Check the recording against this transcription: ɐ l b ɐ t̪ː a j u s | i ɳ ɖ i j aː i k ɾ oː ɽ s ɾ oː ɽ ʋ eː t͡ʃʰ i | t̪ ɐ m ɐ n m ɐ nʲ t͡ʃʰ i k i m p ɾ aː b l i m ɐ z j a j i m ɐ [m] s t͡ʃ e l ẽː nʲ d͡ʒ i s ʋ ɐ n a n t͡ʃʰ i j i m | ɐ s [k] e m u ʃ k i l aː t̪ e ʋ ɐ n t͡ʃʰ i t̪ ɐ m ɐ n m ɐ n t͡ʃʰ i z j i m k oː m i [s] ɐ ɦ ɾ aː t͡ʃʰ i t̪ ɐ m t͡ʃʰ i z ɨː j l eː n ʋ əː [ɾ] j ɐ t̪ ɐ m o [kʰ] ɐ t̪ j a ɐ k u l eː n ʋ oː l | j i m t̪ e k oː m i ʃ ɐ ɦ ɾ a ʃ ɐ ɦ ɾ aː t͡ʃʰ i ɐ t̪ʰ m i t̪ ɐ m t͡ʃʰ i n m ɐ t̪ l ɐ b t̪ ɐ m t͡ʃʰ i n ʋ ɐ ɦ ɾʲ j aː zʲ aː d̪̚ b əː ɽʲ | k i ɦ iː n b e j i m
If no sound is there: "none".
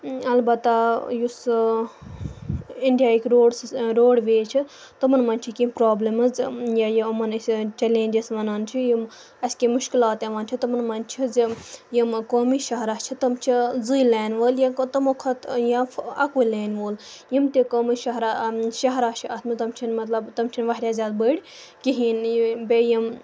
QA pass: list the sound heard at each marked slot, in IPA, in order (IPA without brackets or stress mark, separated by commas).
n, k, ʃ, l, kʰ